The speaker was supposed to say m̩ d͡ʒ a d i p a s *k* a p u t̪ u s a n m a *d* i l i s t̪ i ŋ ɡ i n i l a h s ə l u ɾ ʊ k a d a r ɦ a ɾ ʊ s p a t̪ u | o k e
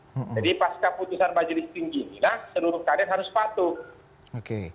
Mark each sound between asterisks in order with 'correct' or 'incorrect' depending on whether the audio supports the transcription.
correct, incorrect: d͡ʒ

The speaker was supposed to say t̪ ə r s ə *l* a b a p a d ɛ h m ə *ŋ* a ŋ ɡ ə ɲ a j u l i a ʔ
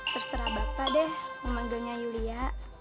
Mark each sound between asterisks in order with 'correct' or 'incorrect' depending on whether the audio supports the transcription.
incorrect: ɾ, incorrect: m

